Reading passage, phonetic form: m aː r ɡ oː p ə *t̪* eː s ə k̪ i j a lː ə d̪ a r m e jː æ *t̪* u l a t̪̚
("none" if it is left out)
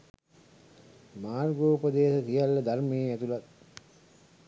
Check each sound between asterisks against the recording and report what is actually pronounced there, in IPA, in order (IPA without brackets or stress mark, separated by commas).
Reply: d̪, t̪